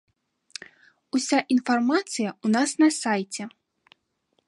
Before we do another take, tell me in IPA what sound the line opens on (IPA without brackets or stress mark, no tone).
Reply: u